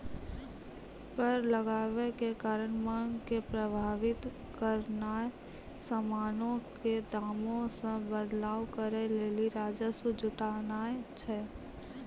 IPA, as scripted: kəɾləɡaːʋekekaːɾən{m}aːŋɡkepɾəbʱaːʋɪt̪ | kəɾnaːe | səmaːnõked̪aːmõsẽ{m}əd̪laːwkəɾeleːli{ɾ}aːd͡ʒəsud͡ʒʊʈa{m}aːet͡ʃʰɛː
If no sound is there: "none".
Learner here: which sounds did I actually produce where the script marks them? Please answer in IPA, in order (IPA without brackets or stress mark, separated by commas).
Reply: m, b, ɾ, n